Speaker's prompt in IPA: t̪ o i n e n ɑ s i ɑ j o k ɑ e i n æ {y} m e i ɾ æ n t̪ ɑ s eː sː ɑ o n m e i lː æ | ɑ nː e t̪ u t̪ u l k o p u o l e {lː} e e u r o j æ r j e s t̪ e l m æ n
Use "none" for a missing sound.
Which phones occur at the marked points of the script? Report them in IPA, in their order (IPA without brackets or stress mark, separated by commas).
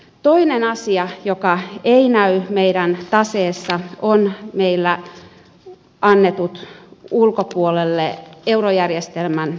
y, lː